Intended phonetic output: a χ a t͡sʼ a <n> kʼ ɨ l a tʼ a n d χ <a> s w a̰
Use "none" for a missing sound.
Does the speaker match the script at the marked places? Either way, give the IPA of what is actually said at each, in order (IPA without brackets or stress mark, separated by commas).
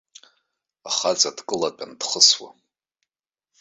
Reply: d, ə